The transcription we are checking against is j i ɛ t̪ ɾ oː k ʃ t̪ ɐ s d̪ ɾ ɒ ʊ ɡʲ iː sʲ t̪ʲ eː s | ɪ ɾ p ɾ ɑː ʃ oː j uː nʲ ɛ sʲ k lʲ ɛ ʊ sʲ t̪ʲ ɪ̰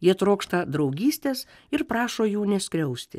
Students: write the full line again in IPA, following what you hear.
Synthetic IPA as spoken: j i ɛ t̪ ɾ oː k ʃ t̪ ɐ d̪ ɾ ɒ ʊ ɡʲ iː sʲ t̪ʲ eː s | ɪ ɾ p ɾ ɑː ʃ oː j uː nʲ ɛ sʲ k ɾʲ ɛ ʊ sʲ t̪ʲ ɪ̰